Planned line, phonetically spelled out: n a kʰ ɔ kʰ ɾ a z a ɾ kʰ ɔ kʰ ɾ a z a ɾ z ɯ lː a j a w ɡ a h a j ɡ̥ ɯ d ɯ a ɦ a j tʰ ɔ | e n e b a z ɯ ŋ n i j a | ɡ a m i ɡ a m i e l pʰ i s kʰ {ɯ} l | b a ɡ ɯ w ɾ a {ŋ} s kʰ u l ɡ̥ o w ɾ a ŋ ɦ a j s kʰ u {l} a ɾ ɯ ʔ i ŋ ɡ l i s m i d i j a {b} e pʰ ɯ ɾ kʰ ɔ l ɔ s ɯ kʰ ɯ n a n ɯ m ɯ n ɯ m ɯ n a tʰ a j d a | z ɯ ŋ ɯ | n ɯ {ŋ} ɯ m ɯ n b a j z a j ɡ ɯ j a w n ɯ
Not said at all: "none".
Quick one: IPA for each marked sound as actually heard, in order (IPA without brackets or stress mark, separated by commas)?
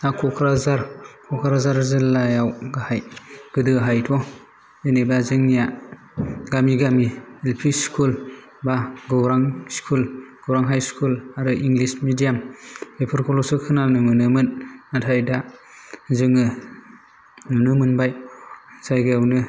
u, ŋ, l, m, n